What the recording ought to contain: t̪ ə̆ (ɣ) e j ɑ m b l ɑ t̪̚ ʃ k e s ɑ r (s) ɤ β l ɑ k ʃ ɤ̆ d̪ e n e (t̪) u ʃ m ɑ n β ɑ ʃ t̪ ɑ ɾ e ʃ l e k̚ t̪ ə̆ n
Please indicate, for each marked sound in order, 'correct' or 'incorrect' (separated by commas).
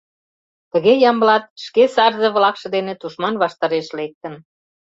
correct, incorrect, correct